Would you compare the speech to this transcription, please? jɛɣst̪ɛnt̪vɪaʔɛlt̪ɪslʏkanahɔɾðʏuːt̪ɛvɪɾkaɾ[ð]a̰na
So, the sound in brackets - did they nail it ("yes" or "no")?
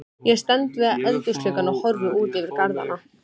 yes